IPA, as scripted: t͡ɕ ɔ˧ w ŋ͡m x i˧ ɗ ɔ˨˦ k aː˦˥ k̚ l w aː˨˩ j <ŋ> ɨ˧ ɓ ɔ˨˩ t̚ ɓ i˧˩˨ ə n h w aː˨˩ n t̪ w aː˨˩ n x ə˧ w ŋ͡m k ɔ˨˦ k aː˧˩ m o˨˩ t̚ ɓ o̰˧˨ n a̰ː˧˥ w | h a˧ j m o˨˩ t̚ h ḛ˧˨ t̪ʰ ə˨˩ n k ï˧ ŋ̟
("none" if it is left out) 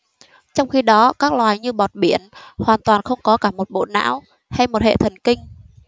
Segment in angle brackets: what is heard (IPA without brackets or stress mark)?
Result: ɲ